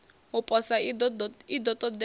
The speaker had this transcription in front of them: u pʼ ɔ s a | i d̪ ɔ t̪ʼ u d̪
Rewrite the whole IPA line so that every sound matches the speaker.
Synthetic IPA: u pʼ ɔ s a | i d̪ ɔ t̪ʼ ɔ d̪